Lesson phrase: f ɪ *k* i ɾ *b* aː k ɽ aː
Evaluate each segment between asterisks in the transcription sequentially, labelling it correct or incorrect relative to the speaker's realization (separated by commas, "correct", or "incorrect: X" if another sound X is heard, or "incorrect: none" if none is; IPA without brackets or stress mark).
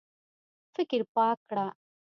correct, incorrect: p